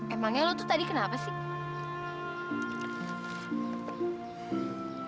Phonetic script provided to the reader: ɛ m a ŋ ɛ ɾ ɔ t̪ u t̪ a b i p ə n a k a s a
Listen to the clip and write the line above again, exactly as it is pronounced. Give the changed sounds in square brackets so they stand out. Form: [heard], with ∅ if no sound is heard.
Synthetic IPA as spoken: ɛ m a ŋ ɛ [l] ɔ t̪ u t̪ a [d] i [k] ə n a [p] a s [i]